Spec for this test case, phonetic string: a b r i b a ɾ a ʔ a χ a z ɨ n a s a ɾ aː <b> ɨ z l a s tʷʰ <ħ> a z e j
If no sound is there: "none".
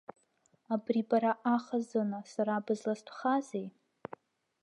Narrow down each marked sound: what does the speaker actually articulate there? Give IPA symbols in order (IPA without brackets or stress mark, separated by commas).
b, χ